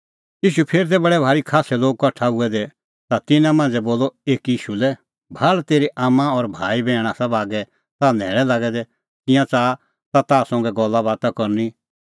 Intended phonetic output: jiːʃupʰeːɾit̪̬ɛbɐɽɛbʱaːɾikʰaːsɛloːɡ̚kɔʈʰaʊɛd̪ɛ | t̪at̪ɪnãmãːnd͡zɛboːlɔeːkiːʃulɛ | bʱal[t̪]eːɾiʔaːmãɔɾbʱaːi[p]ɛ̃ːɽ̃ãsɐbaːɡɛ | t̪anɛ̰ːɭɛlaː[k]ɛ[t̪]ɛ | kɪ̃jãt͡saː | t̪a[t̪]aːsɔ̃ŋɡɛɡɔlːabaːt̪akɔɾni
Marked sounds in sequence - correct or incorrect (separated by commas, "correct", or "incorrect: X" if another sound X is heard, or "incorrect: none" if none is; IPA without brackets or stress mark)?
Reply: correct, incorrect: b, incorrect: ɡ, incorrect: d̪, correct